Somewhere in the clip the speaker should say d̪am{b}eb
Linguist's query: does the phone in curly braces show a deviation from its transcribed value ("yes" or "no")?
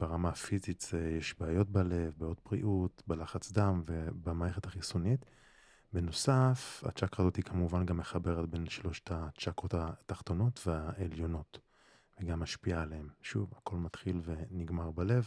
yes